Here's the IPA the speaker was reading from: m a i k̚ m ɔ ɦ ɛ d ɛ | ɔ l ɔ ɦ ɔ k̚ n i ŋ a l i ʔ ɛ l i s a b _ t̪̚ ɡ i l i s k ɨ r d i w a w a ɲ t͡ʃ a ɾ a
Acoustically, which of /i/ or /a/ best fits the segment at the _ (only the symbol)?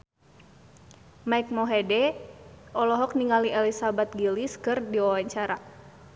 a